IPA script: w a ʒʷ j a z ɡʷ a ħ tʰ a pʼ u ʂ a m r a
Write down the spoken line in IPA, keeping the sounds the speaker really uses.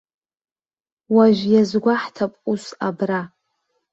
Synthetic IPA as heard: w a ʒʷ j a z ɡʷ a ħ tʰ a pʼ u s a b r a